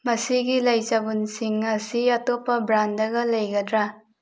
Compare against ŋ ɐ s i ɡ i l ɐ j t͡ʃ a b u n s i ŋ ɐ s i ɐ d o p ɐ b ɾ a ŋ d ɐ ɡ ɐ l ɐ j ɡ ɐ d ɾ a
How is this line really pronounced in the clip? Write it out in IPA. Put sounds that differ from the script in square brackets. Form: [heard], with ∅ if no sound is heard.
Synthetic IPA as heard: [m] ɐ s i ɡ i l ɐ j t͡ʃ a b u n s i ŋ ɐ s i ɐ [t] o p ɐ b ɾ a [n] d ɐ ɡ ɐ l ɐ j ɡ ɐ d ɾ a